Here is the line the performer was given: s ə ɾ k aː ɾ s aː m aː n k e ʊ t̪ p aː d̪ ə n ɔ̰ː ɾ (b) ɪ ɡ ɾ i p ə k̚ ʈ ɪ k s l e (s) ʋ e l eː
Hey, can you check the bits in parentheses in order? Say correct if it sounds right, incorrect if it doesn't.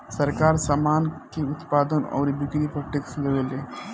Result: correct, incorrect: none

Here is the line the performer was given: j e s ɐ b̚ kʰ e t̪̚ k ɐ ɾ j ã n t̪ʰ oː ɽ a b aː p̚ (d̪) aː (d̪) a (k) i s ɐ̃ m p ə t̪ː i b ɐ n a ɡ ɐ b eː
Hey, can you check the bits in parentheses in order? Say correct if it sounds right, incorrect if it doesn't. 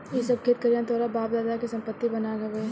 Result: correct, correct, correct

